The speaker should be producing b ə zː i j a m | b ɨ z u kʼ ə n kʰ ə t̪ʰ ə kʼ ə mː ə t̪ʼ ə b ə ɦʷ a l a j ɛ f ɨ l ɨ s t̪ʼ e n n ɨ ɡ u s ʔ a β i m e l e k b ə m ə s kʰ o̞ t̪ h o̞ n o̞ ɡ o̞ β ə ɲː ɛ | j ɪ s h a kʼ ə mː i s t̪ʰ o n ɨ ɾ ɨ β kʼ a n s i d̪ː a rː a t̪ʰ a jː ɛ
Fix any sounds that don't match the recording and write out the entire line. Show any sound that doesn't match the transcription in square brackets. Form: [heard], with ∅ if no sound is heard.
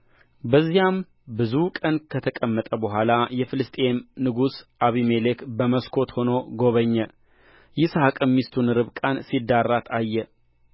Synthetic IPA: b ə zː i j a m | b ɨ z u kʼ ə n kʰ ə t̪ʰ ə kʼ ə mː ə t̪ʼ ə b ə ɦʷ a l a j ɛ f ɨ l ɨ s t̪ʼ e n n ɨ ɡ u s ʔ a β i m e l e k b ə m ə s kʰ o̞ t̪ h o̞ n o̞ ɡ o̞ β ə ɲː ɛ | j ɪ s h a kʼ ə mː i s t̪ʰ [u] n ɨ ɾ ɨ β kʼ a n s i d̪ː a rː a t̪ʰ a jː ɛ

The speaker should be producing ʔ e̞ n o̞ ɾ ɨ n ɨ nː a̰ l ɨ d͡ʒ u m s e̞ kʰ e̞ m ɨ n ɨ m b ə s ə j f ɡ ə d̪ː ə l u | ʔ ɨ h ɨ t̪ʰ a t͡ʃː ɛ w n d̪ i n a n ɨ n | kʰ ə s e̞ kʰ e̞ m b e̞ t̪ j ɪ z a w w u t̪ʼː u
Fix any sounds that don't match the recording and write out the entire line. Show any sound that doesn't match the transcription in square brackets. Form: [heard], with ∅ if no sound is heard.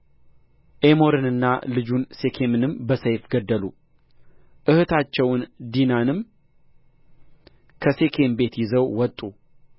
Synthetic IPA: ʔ e̞ [m] o̞ ɾ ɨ n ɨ nː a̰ l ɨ d͡ʒ u [n] s e̞ kʰ e̞ m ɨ n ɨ m b ə s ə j f ɡ ə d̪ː ə l u | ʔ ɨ h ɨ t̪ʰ a t͡ʃː ɛ w n d̪ i n a n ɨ [m] | kʰ ə s e̞ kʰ e̞ m b e̞ t̪ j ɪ z [ə] w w [ɔ] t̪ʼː u

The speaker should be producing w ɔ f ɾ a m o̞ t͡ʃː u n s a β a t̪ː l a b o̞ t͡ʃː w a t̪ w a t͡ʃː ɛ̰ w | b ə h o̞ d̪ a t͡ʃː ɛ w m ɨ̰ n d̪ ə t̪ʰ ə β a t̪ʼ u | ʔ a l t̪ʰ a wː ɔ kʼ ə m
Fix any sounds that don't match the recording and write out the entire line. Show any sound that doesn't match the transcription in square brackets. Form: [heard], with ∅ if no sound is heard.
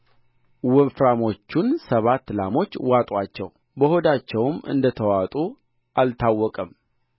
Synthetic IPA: w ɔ f ɾ a m o̞ t͡ʃː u n s [ə] β a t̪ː l a [m] o̞ t͡ʃː w a [t̪ʼ] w a t͡ʃː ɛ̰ w | b ə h o̞ d̪ a t͡ʃː ɛ w m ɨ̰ n d̪ ə t̪ʰ ə [w] a t̪ʼ u | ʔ a l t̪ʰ a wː ɔ kʼ ə m

